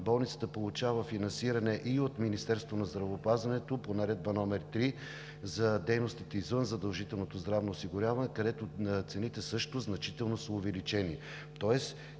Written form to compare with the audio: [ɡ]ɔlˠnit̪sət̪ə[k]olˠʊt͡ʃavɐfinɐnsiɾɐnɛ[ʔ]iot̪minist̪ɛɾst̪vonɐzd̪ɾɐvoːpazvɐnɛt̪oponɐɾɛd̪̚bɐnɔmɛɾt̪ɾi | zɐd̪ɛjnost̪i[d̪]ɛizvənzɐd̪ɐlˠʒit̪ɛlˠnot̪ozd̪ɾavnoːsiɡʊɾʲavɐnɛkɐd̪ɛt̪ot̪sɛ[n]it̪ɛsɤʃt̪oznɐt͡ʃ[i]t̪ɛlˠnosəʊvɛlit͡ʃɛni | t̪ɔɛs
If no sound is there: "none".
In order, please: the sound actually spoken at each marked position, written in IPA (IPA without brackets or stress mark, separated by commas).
b, p, ʔ, t̪, n, i